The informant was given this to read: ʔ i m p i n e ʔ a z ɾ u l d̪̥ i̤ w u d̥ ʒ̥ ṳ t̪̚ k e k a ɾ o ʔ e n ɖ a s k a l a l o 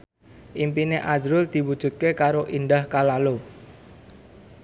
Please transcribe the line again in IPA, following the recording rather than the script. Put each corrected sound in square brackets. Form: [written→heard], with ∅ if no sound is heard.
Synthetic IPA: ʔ i m p i n e ʔ a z ɾ [u→ʊ] l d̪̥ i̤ w u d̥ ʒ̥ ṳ t̪̚ k e k a ɾ o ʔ [e→i] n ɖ a [s→h] k a l a l o